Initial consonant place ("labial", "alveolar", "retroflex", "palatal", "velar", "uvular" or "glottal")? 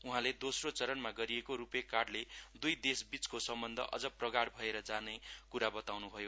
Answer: glottal